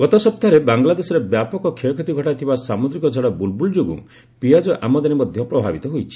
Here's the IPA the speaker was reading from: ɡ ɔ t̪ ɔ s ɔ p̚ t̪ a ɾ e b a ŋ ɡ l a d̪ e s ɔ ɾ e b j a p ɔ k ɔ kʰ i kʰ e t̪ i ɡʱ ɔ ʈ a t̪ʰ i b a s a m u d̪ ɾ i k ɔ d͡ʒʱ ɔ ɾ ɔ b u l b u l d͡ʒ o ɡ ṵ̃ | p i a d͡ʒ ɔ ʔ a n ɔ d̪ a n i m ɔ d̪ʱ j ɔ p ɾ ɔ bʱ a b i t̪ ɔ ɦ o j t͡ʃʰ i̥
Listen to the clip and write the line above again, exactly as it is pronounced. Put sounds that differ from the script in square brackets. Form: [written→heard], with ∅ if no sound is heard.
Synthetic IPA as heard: ɡ ɔ t̪ ɔ s ɔ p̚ t̪ a ɾ e b a ŋ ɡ l a d̪ e s ɔ ɾ e b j a p ɔ k ɔ kʰ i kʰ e t̪ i ɡʱ ɔ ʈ a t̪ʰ i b a s a m u d̪ ɾ i k ɔ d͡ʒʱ ɔ [ɾ→ɽ] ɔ b u l b u l d͡ʒ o ɡ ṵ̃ | p i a d͡ʒ ɔ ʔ a [n→m] ɔ d̪ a n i m ɔ d̪ʱ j ɔ p ɾ ɔ bʱ a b i t̪ ɔ ɦ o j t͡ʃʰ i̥